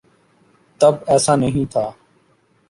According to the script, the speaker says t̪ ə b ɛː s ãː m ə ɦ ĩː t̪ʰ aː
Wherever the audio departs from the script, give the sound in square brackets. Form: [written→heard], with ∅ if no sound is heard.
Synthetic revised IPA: t̪ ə b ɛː s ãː [m→n] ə ɦ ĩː t̪ʰ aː